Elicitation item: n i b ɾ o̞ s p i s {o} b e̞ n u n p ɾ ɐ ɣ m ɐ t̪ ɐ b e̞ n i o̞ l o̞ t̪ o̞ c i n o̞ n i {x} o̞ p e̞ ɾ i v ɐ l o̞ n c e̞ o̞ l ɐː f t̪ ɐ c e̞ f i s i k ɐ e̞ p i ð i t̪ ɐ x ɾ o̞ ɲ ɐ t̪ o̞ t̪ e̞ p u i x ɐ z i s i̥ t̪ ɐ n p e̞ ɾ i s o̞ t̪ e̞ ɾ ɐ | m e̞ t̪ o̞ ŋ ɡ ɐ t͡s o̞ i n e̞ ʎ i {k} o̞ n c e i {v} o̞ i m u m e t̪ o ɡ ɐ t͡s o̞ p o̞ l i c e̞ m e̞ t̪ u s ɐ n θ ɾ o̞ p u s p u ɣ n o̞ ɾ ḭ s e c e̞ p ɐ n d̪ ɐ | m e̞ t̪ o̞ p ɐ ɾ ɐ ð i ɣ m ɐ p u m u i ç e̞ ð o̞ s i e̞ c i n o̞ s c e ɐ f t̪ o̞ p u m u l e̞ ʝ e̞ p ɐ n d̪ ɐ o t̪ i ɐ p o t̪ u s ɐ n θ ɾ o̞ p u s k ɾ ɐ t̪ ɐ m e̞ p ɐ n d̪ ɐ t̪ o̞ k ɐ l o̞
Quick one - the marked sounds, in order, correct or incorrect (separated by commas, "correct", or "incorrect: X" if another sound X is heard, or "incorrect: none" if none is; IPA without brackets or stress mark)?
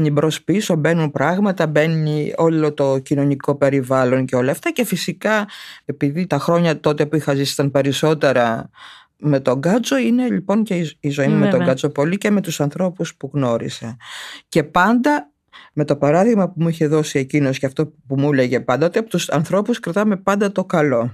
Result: correct, incorrect: k, incorrect: p, incorrect: z